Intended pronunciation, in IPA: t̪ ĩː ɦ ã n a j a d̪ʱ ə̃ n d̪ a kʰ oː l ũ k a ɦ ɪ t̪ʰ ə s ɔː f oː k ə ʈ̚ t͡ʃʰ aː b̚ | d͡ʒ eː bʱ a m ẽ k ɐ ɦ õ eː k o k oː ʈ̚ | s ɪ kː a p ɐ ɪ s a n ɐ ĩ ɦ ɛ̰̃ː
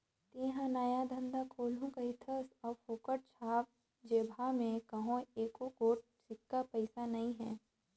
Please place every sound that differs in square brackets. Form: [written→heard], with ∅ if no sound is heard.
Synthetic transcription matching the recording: t̪ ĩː ɦ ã n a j a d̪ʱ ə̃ n d̪ a kʰ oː l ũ k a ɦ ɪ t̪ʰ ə s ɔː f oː k ə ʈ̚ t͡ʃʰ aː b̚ | d͡ʒ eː bʱ a m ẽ k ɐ ɦ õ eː k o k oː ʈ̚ | s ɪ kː a p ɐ ɪ s a n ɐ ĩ ɦ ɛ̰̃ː